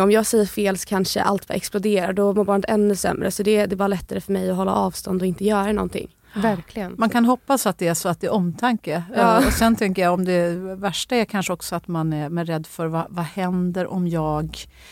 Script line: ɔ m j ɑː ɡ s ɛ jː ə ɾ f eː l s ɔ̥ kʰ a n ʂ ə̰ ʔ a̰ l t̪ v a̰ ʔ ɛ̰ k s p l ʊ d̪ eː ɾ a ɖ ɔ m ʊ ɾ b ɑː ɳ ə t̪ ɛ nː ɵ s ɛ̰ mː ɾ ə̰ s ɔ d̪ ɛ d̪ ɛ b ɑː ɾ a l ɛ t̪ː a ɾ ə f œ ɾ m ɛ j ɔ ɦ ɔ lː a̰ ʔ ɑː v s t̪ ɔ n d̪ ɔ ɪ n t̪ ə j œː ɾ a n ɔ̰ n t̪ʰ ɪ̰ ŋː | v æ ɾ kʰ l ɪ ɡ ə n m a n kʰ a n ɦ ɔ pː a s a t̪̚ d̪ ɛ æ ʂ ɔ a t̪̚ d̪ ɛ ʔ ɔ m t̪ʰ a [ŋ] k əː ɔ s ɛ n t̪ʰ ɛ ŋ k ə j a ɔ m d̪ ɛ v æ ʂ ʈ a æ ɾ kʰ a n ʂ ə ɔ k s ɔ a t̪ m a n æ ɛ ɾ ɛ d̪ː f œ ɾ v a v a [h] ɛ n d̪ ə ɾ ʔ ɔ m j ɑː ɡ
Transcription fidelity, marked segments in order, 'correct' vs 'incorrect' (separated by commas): correct, correct